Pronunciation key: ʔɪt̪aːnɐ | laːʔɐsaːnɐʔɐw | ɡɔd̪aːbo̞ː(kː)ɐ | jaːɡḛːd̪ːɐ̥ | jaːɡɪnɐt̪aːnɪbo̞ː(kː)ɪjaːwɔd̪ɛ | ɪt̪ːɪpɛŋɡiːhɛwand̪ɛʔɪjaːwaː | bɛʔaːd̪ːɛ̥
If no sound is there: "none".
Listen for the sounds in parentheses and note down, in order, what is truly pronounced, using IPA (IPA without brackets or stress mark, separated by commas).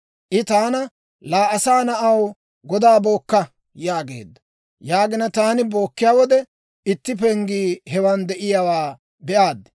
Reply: kː, kː